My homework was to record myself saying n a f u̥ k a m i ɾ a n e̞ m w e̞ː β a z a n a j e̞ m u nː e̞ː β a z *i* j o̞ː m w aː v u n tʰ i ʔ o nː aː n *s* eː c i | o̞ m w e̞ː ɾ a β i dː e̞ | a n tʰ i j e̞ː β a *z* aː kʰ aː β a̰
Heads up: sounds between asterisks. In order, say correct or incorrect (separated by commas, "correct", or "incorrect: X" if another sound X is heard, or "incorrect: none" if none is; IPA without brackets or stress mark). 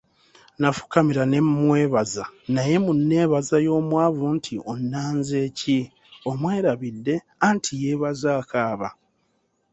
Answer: incorrect: a, incorrect: z, correct